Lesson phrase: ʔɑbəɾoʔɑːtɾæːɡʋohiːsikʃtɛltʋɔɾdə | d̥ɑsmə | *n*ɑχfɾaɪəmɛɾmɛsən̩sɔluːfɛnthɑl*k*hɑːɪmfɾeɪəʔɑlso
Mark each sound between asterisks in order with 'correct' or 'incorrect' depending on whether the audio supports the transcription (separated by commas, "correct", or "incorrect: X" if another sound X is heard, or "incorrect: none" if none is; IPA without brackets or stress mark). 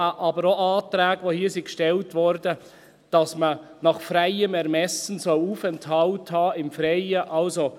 correct, incorrect: t